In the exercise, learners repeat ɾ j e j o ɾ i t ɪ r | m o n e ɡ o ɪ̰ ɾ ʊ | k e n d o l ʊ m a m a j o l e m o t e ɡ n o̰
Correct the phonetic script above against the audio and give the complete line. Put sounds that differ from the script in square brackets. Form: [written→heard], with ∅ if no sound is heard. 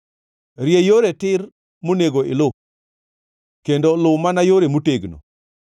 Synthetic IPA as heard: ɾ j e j o ɾ [i→e] t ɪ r | m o n e ɡ o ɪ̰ [ɾ→l] ʊ | k e n d o l ʊ m a [m→n] a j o [l→ɾ] e m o t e ɡ n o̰